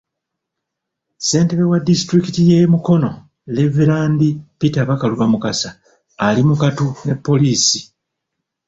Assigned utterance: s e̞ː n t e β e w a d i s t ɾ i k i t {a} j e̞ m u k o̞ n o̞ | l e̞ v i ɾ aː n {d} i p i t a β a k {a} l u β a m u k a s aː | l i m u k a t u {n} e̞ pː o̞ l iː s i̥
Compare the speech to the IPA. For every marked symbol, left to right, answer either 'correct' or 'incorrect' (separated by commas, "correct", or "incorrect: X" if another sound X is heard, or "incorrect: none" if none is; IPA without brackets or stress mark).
incorrect: i, correct, correct, correct